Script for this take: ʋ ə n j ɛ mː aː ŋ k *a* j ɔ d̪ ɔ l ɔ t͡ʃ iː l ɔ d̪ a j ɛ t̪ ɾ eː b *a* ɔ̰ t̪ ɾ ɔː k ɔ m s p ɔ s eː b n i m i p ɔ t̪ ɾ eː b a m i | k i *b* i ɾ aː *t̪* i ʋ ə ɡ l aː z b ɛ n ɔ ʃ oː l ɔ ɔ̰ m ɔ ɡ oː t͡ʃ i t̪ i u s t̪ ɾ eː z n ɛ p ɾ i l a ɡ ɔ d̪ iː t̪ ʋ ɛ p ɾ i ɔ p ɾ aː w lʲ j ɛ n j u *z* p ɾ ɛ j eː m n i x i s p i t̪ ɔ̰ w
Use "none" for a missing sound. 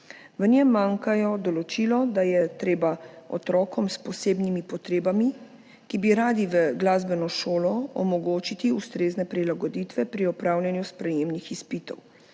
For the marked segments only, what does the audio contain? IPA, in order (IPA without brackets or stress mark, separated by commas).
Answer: a, a, b, d̪, s